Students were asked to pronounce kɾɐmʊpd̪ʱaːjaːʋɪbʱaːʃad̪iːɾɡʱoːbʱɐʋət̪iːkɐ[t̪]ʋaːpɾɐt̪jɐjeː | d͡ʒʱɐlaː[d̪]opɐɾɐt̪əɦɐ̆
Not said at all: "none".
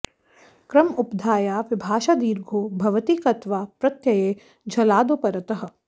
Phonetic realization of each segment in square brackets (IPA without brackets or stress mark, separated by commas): t̪, d̪